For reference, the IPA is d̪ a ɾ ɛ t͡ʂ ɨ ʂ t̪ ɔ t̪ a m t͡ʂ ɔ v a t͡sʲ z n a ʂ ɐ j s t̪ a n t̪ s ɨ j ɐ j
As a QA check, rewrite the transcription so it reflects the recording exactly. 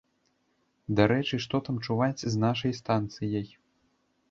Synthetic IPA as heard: d̪ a ɾ ɛ t͡ʂ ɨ ʂ t̪ ɔ t̪ a m t͡ʂ u v a t͡sʲ z n a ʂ ɐ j s t̪ a n t̪ s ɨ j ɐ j